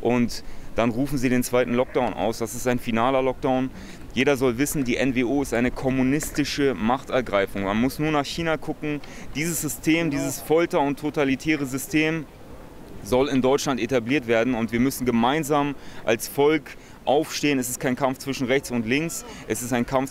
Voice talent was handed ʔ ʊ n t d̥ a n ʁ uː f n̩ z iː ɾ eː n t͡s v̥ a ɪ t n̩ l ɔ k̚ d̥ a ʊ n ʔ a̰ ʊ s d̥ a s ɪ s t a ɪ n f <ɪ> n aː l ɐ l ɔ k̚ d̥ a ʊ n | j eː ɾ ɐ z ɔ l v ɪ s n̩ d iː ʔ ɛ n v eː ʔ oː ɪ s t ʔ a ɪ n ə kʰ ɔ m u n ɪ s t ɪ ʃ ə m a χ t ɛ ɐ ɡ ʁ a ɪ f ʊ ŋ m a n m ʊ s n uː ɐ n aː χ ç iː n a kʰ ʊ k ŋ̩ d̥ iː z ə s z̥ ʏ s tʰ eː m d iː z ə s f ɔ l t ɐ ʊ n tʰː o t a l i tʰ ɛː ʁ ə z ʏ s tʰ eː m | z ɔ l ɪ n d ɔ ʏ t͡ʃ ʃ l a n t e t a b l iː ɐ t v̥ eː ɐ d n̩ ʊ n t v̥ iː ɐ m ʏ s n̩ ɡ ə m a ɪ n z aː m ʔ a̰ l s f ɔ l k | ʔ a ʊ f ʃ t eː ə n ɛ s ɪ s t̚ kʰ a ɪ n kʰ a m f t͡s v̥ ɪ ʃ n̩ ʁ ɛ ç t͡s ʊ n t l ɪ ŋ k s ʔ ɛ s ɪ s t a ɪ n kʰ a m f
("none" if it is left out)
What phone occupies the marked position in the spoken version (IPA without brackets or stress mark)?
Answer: i